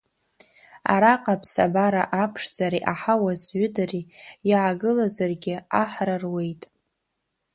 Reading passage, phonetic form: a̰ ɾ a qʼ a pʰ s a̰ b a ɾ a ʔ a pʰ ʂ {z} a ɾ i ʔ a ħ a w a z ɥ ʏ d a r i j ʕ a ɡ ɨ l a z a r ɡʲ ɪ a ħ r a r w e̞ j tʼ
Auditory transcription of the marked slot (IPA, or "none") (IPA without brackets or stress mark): d͡z